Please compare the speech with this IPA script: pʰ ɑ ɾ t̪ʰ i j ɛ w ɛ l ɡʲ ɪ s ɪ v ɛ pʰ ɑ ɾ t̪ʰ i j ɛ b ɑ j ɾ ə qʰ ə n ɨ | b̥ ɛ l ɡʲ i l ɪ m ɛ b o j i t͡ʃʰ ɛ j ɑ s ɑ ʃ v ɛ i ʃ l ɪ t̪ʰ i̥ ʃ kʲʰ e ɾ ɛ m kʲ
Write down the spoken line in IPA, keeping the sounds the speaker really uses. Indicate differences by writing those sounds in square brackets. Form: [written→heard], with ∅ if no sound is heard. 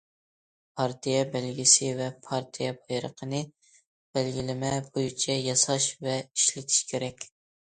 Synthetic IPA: pʰ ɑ ɾ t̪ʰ i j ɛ [w→b] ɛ l ɡʲ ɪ s ɪ v ɛ pʰ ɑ ɾ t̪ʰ i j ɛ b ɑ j ɾ ə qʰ ə n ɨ | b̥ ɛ l ɡʲ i l ɪ m ɛ b o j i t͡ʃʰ ɛ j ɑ s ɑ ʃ v ɛ i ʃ l ɪ t̪ʰ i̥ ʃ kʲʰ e ɾ ɛ [m→∅] kʲ